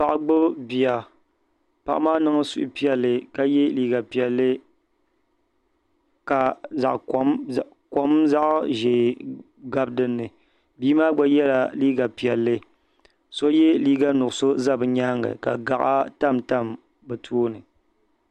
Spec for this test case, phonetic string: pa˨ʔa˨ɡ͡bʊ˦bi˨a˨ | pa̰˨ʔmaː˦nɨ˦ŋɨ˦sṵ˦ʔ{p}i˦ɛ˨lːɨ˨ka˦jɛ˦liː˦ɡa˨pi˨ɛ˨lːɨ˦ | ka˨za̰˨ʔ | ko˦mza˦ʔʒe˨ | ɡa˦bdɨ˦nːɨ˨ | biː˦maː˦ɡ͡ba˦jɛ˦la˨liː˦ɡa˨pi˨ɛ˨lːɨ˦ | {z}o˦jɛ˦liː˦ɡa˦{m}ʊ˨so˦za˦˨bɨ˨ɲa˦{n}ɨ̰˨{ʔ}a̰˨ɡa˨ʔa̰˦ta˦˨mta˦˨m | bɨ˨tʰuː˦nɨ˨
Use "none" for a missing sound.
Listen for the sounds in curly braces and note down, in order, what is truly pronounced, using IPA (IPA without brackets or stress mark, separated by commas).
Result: p, s, n, ŋ, k